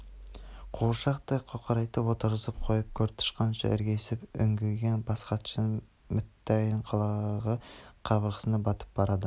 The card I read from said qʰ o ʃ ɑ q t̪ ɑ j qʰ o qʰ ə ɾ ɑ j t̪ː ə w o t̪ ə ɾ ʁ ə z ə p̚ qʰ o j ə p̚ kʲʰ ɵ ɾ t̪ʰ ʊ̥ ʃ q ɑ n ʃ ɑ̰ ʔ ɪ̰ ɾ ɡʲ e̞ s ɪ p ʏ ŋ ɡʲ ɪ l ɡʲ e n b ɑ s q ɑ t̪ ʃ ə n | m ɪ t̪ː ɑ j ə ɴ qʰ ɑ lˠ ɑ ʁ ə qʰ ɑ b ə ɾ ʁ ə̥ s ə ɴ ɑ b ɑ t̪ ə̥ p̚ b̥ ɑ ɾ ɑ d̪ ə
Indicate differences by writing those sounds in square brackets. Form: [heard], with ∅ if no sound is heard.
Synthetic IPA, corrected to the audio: qʰ o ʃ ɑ q t̪ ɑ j qʰ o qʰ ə ɾ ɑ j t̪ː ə w o t̪ ə ɾ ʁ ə z ə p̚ qʰ o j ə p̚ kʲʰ ɵ ɾ t̪ʰ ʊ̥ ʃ q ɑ n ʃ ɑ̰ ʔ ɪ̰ ɾ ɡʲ e̞ s ɪ p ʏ ŋ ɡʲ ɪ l ɡʲ e n b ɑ s q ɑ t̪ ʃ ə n | m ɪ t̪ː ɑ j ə ɴ qʰ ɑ lˠ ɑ ʁ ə qʰ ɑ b ə ɾ ʁ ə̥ s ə [n] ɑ b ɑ t̪ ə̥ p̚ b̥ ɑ ɾ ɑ d̪ ə